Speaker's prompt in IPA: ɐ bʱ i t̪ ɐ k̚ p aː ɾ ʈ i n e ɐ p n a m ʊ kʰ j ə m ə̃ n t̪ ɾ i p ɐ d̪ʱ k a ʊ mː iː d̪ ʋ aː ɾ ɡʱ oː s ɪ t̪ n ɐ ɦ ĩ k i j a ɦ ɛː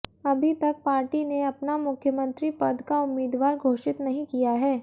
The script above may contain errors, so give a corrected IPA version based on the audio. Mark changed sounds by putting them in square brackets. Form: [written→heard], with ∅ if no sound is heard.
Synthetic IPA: ɐ bʱ i t̪ ɐ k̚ p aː ɾ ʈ i n e ɐ p n a m ʊ kʰ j ə m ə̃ n t̪ ɾ i p ɐ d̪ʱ k a ʊ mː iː d̪ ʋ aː ɾ ɡʱ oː [s→ʃ] ɪ t̪ n ɐ ɦ ĩ k i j a ɦ ɛː